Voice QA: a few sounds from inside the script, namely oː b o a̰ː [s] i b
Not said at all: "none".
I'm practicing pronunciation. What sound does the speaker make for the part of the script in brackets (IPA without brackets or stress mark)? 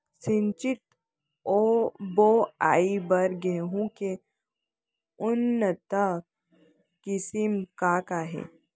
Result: none